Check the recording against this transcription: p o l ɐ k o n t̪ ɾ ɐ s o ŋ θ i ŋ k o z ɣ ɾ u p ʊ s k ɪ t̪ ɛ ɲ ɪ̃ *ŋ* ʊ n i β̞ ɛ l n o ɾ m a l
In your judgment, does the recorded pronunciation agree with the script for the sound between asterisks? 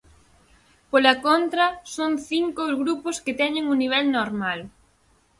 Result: yes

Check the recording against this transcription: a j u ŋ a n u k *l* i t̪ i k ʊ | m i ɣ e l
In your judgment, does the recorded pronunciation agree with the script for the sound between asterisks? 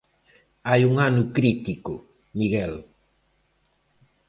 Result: no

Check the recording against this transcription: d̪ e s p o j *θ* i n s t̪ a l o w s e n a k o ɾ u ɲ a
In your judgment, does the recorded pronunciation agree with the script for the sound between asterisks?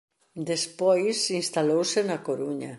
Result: no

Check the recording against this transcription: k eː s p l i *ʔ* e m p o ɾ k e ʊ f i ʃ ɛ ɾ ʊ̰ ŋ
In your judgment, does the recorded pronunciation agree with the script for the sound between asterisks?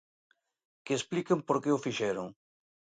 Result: no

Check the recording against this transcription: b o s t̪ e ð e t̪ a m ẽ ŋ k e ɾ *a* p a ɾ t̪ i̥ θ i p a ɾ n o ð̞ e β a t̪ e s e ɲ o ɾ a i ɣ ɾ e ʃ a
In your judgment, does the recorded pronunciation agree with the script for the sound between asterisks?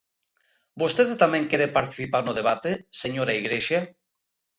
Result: no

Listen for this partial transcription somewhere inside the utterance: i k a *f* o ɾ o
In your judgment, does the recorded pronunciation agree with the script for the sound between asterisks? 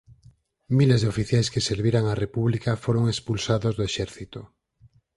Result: yes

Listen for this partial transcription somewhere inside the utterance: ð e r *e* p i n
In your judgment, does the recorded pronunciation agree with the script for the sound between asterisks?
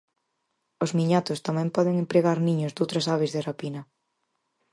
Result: no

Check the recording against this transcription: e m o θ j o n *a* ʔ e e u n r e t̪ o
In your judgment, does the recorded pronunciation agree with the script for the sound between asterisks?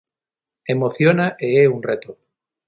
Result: yes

